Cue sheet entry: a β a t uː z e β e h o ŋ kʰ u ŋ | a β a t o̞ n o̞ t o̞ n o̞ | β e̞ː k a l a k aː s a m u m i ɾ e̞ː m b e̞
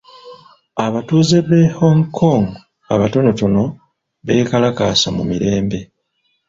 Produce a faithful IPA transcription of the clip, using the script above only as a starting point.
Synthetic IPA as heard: a β a t uː z e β e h o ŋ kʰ o ŋ | a β a t o̞ n o̞ t o̞ n o̞ | β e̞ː k a l a k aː s a m u m i ɾ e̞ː m b e̞

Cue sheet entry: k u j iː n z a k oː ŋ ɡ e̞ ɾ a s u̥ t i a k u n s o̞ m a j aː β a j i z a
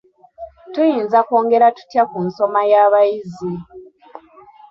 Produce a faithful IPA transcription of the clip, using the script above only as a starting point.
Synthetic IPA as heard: t u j iː n z a k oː ŋ ɡ e̞ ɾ a t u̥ t j a k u n s o̞ m a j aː β a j i z i

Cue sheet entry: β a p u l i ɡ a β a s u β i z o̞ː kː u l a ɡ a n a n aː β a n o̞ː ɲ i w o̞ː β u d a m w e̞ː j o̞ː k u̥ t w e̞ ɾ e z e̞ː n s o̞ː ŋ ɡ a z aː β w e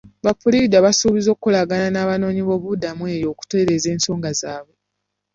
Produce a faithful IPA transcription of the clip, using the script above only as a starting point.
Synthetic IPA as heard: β a p u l i d a β a s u β i z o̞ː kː u l a ɡ a n a n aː β a n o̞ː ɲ i β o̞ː β u d a m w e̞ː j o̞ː k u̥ t w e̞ ɾ e z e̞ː n s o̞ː ŋ ɡ a z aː β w e

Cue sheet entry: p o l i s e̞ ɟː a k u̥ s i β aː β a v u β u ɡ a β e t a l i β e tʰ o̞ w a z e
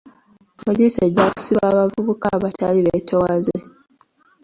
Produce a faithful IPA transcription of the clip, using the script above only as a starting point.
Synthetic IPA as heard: p o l i s e̞ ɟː a k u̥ s i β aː β a v u β u k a β a t a l i β e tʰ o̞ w a z e

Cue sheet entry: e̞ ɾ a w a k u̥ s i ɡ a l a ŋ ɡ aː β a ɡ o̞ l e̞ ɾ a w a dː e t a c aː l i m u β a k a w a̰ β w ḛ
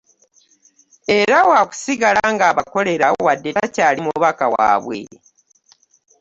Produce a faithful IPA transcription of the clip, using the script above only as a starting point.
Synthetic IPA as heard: e̞ ɾ a w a k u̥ s i ɡ a l a ŋ ɡ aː β a k o̞ l e̞ ɾ a w a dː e t a c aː l i m u β a k a w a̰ β w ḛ

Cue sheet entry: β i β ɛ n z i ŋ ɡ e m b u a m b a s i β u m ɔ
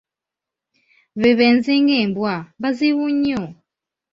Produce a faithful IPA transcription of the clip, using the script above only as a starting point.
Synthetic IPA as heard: β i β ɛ n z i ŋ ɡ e m b w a m b a z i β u ɲ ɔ

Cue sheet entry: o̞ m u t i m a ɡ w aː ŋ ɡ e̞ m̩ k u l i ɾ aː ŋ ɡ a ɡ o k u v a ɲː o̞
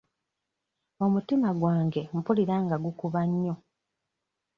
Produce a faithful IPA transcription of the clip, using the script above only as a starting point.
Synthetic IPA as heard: o̞ m u t i m a ɡ w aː ŋ ɡ e̞ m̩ p u l i ɾ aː ŋ ɡ a ɡ u k u β a ɲː o̞

